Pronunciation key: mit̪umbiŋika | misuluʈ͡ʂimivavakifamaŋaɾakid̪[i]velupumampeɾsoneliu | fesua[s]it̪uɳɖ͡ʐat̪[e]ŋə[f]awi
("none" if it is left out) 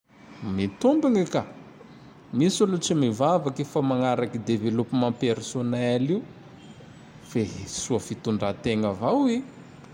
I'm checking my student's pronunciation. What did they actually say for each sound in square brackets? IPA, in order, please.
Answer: e, f, e, v

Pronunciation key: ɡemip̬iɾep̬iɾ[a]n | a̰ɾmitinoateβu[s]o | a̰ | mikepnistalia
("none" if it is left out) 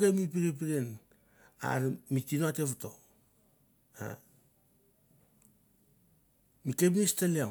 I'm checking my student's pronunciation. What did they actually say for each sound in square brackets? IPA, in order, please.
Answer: e, t

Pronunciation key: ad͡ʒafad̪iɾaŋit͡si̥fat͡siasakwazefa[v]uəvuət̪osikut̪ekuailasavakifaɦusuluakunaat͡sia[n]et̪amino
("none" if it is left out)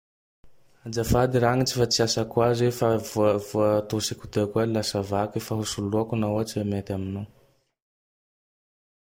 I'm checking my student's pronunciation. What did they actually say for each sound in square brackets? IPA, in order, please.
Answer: v, m

